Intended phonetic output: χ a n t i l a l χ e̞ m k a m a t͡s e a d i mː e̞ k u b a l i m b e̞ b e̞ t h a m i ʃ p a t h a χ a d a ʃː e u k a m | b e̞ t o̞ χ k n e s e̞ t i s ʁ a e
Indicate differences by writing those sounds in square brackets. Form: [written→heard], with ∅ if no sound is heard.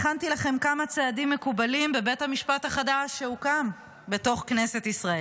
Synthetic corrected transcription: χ a n t i l a [l→∅] χ e̞ m k a m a t͡s e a d i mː e̞ k u b a l i m b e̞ b e̞ t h a m i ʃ p a t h a χ a d a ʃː e u k a m | b e̞ t o̞ χ k n e s e̞ t i s ʁ a e